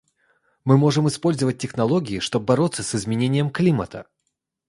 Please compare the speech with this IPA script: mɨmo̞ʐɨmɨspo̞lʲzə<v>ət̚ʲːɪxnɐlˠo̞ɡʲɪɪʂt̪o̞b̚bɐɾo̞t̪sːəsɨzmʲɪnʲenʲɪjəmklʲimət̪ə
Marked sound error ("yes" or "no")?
no